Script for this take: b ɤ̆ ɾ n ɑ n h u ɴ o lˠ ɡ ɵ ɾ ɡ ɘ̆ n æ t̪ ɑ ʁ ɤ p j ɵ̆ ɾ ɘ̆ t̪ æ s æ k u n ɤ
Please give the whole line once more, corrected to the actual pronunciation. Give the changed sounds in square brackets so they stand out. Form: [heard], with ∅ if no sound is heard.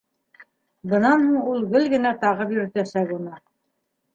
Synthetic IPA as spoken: b ɤ̆ [∅] n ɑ n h u ɴ [u] lˠ ɡ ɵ [l] ɡ ɘ̆ n æ t̪ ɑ ʁ ɤ p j ɵ̆ ɾ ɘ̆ t̪ æ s æ k u n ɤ